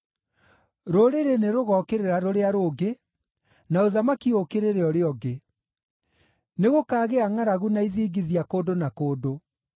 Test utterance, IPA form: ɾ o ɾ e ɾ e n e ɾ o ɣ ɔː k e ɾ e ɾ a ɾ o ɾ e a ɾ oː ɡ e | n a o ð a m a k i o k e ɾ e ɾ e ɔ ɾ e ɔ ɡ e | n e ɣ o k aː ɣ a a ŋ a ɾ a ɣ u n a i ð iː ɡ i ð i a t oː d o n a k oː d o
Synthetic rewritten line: ɾ o ɾ e ɾ e n e ɾ o ɣ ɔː k e ɾ e ɾ a ɾ o ɾ e a ɾ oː ɡ e | n a o ð a m a k i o k e ɾ e ɾ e ɔ ɾ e ɔ ɡ e | n e ɣ o k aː ɣ e a ŋ a ɾ a ɣ u n a i ð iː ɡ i ð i a k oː d o n a k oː d o

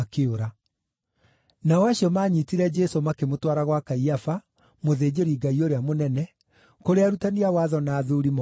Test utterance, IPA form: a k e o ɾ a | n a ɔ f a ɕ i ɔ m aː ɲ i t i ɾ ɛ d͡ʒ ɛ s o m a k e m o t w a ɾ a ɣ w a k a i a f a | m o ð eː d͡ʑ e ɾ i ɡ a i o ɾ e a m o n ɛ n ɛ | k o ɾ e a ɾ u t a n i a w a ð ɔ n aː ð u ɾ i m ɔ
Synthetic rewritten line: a k e o ɾ a | n a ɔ a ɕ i ɔ m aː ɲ i t i ɾ ɛ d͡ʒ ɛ s o m a k e m o t w a ɾ a ɣ w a k a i a f a | m o ð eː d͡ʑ e ɾ i ɡ a i o ɾ e a m o n ɛ n ɛ | k o ɾ e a ɾ u t a n i a w a ð ɔ n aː ð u ɾ i m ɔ

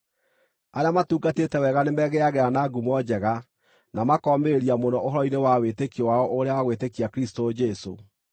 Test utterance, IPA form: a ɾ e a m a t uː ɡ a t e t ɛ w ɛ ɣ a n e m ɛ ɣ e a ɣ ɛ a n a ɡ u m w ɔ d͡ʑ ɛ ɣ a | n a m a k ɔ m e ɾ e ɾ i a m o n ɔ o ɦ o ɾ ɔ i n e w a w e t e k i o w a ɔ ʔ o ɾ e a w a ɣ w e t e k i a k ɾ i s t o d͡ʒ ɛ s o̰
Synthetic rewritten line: a ɾ e a m a t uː ɡ a t e t ɛ w ɛ ɣ a n e m ɛ ɣ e a ɣ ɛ a n a ɡ u m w ɔ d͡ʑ ɛ ɣ a | n a m a k ɔ m e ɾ e ɾ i a m o n ɔ o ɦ ɔ ɾ ɔ i n e w a w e t e k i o w a ɔ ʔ o ɾ e a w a ɣ w e t e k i a k ɾ i s t o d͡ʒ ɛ s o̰

